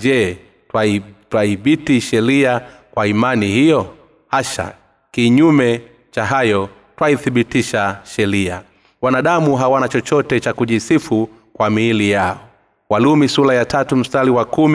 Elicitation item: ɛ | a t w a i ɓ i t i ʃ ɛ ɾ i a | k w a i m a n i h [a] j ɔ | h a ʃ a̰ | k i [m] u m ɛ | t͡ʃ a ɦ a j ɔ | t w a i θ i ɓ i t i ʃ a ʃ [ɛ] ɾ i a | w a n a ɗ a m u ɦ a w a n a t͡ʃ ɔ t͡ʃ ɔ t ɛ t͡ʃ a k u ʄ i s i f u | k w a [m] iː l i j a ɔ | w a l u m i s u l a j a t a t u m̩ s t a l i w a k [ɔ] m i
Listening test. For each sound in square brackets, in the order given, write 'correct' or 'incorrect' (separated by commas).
incorrect, incorrect, correct, correct, incorrect